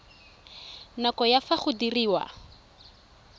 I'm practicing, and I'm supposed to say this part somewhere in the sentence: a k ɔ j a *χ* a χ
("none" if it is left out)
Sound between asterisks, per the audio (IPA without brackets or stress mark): f